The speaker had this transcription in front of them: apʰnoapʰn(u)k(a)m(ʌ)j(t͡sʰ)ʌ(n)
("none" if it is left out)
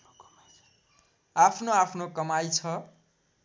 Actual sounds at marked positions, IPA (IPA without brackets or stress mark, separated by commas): o, ʌ, a, t͡sʰ, none